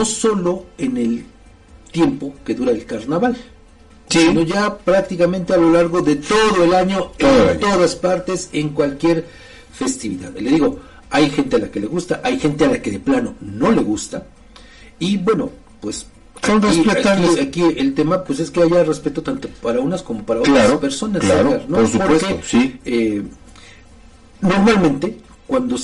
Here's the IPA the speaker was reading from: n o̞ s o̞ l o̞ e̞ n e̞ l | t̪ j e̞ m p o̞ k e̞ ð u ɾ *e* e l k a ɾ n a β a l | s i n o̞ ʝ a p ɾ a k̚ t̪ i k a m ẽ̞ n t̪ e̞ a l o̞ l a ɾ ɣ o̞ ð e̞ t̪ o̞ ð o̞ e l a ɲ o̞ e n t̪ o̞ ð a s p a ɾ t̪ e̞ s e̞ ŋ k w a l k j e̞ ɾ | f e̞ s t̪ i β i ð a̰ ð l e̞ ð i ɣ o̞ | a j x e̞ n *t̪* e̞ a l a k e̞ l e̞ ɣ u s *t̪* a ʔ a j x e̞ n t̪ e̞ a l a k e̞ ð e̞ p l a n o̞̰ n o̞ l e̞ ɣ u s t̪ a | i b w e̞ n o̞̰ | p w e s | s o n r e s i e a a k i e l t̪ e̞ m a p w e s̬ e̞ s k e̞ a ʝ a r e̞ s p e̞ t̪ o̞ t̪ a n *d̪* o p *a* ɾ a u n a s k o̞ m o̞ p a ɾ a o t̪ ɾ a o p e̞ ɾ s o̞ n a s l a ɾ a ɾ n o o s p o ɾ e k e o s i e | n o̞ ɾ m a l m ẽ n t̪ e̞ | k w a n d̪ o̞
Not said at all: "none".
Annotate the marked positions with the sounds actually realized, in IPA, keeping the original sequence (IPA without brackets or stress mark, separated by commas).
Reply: a, t̪, t̪, t̪, a